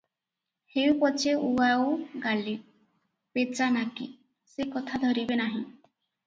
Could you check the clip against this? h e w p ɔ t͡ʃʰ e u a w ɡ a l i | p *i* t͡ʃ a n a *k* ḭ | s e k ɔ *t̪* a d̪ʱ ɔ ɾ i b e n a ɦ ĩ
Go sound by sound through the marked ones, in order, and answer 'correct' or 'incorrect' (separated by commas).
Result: incorrect, correct, incorrect